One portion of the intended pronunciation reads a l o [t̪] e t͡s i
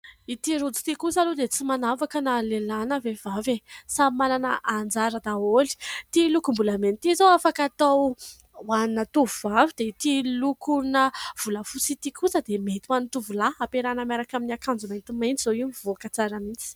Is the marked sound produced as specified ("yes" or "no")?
no